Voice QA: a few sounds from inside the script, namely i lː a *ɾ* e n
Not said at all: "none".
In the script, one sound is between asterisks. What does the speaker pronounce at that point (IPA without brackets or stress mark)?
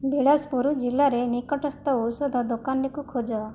ɾ